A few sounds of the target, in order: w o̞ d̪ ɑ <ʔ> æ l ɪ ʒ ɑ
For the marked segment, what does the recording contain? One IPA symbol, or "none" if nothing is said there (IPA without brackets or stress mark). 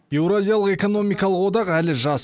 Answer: q